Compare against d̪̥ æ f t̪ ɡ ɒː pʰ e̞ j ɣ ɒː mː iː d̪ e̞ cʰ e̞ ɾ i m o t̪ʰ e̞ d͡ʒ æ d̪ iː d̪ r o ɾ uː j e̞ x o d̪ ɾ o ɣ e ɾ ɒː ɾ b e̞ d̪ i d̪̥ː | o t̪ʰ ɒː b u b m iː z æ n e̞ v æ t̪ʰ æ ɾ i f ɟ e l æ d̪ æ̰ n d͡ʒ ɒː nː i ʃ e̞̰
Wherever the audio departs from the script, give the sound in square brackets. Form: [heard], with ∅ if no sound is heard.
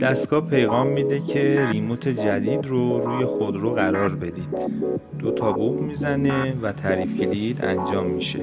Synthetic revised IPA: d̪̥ æ [s] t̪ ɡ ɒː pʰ e̞ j ɣ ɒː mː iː d̪ e̞ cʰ e̞ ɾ i m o t̪ʰ e̞ d͡ʒ æ d̪ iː d̪ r o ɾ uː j e̞ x o d̪ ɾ o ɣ [æ] ɾ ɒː ɾ b e̞ d̪ i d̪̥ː | o t̪ʰ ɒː b u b m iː z æ n e̞ v æ t̪ʰ æ ɾ i f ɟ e l [i] d̪ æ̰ n d͡ʒ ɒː [mː] i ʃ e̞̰